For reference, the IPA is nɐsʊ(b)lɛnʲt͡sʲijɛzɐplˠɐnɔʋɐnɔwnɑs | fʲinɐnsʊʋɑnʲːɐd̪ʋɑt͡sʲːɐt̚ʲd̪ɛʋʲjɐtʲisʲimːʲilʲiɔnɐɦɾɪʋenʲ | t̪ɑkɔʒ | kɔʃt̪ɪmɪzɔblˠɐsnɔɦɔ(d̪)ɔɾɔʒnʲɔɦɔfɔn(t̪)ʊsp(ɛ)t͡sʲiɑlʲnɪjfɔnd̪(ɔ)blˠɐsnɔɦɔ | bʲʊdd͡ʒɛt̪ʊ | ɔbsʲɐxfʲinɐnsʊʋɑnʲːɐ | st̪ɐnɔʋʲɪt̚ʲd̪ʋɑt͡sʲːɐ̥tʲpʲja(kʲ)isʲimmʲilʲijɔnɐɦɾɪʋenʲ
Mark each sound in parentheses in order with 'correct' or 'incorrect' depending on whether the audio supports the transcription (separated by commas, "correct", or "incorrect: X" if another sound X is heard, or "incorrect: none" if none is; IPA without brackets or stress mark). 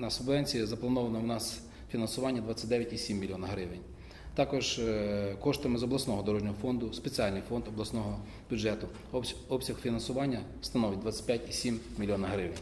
correct, correct, incorrect: d̪, incorrect: e, correct, incorrect: tʲ